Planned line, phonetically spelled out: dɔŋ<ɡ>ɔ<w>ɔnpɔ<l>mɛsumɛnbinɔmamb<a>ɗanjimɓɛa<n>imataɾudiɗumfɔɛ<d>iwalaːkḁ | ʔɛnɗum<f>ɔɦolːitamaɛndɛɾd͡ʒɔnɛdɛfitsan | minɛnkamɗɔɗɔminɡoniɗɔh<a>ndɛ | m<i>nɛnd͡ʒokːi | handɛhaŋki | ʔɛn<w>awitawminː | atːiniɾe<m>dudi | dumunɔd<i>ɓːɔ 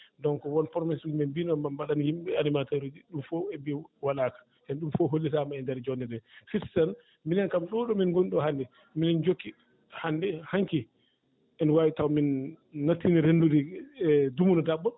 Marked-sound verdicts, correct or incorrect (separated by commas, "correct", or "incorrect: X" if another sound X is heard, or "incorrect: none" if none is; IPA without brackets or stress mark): incorrect: k, correct, incorrect: ɾ, correct, correct, incorrect: b, correct, correct, correct, correct, incorrect: n, incorrect: a